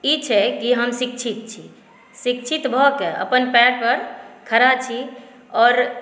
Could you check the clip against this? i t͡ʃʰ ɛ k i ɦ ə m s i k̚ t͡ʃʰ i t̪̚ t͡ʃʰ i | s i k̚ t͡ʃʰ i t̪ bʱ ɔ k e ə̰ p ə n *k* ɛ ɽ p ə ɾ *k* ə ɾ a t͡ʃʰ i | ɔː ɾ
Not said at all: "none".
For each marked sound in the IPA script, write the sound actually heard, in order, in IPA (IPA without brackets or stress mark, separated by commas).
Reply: p, kʰ